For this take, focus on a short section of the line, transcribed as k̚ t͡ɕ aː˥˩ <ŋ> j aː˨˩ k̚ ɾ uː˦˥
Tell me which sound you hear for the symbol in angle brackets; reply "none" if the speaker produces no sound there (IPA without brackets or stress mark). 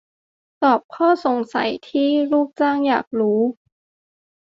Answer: ŋ